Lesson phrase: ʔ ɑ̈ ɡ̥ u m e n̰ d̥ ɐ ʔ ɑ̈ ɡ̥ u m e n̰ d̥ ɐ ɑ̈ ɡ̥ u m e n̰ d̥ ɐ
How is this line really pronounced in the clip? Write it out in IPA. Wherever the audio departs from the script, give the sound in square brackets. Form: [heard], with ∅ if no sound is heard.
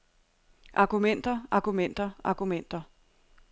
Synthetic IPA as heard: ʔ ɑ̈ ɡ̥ u m e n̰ d̥ ɐ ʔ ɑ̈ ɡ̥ u m e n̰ d̥ ɐ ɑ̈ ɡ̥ u m e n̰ d̥ ɐ